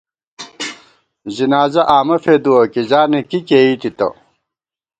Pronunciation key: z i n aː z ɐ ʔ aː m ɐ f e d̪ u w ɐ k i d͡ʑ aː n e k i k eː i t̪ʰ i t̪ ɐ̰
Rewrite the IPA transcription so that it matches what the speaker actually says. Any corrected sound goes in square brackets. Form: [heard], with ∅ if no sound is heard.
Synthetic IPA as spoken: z i n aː z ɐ ʔ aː m ɐ f e d̪ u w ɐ k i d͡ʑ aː n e k i k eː i [t̪] i t̪ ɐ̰

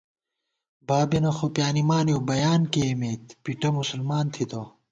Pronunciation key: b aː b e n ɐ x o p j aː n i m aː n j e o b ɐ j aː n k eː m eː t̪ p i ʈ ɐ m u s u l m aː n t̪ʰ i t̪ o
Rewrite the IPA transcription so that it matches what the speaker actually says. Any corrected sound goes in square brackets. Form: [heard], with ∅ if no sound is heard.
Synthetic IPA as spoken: b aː b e n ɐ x o p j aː n i m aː n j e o b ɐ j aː n k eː m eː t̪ p i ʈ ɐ m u s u l m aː n t̪ʰ i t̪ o

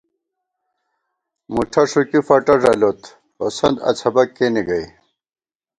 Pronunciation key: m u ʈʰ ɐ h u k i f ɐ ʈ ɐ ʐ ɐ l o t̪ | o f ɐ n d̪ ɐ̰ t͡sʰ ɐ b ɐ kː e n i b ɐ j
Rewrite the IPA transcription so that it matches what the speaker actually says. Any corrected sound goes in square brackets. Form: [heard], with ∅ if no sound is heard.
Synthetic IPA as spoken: m u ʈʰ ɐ [ʂ] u k i f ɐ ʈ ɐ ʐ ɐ l o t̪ | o [s] ɐ n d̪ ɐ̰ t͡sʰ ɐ b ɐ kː e n i [ɡ] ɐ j

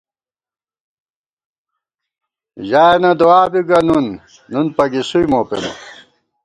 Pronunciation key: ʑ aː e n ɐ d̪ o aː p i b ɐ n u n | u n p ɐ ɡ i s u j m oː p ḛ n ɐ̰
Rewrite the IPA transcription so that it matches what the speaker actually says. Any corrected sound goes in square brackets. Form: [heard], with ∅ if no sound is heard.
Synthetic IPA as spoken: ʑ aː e n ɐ d̪ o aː [b] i [ɡ] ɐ n u [nː] | u n p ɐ ɡ i s u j m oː p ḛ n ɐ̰

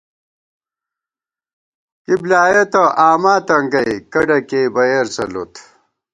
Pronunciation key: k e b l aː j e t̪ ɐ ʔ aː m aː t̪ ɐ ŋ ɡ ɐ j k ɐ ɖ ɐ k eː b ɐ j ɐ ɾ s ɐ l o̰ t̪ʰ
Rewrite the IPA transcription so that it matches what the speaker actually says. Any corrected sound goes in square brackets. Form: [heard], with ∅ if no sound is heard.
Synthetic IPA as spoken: k [i] b l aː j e t̪ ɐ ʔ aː m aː t̪ ɐ ŋ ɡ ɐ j k ɐ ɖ ɐ k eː b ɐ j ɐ ɾ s ɐ l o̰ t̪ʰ

